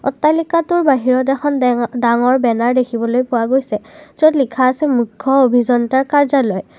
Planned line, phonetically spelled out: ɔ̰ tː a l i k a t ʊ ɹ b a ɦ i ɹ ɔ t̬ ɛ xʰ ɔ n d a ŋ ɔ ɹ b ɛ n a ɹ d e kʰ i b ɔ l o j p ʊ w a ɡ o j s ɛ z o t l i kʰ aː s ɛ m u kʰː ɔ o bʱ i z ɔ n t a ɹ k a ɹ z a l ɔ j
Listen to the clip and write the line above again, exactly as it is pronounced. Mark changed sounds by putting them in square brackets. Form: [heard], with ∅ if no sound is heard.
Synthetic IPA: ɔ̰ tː a l i k a t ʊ ɹ b a ɦ i ɹ ɔ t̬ ɛ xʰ ɔ n d a ŋ ɔ ɹ b ɛ n a ɹ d e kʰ i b ɔ l o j p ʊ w a ɡ o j s ɛ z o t l i kʰ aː s ɛ m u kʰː ɔ o bʱ i z ɔ n t a ɹ k a ɹ z a l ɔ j